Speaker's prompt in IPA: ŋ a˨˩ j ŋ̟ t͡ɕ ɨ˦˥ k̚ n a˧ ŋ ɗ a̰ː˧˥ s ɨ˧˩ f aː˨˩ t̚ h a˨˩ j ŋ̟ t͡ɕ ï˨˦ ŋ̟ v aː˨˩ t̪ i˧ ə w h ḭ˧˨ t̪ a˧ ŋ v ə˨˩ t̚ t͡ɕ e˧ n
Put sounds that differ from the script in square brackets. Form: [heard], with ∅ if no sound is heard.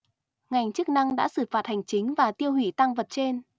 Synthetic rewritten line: ŋ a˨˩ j ŋ̟ t͡ɕ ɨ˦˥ k̚ n a˧ ŋ ɗ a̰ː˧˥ s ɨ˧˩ f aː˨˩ t̚ h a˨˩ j ŋ̟ t͡ɕ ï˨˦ ŋ̟ v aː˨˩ t̪ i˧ ə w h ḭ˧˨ t̪ a˧ ŋ v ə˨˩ t̚ t͡ɕ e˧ n